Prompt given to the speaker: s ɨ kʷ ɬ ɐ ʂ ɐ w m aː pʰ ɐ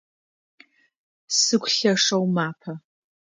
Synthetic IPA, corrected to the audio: s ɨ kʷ ɬ ɐ ʂ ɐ w m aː pʰ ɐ